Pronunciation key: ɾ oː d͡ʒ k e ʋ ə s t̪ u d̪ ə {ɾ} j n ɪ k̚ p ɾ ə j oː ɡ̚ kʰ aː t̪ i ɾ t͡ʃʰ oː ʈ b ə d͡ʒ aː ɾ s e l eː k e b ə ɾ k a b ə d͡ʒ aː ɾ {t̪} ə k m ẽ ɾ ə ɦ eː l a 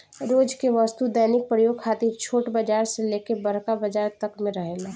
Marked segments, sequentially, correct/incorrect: incorrect, correct

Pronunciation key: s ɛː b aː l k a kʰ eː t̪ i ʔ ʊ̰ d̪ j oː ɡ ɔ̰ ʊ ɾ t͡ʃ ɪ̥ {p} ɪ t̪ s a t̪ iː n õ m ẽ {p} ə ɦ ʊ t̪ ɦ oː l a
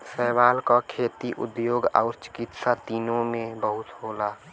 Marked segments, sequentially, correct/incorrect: incorrect, incorrect

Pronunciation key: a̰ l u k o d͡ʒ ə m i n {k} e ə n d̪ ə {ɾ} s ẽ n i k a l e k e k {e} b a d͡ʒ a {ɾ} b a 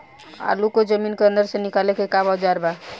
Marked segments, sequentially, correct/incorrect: correct, correct, incorrect, correct

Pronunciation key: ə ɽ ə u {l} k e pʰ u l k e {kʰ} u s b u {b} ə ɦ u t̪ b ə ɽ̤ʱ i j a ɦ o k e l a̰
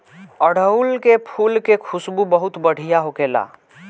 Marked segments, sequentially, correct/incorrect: correct, correct, correct

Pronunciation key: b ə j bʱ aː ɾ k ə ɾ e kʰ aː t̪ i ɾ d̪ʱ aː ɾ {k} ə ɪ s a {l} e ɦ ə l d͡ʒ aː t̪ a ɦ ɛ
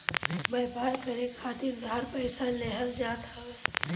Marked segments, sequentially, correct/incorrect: incorrect, correct

